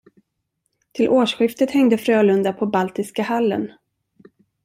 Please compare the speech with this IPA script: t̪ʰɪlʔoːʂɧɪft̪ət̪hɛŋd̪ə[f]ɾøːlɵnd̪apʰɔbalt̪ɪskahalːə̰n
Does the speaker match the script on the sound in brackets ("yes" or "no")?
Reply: yes